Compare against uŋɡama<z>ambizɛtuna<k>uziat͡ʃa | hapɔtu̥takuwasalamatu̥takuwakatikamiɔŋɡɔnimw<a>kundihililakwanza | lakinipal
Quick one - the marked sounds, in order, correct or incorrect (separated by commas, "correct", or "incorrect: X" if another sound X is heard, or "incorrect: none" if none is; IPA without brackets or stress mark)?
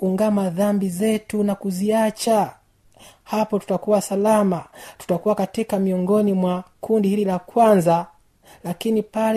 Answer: incorrect: ð, correct, correct